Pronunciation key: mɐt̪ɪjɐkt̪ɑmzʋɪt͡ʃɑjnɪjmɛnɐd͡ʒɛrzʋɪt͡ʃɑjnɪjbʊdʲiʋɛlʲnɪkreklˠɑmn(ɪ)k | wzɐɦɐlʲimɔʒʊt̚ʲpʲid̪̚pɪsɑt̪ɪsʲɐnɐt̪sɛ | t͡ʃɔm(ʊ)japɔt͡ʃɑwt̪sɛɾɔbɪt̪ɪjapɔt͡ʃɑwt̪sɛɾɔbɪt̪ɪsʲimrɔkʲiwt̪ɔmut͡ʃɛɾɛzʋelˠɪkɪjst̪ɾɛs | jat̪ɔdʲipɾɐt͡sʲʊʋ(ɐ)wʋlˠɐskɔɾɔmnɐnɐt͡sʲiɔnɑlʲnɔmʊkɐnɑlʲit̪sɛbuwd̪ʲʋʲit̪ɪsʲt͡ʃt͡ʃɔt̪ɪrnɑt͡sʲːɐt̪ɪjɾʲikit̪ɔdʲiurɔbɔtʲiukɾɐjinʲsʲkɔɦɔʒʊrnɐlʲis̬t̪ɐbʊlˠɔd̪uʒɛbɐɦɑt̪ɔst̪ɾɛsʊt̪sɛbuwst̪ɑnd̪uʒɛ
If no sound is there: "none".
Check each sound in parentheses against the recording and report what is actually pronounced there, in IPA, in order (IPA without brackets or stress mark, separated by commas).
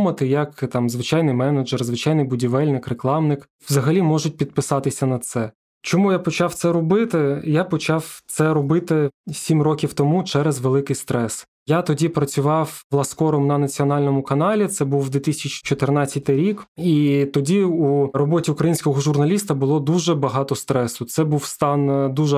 ɪ, u, ɑ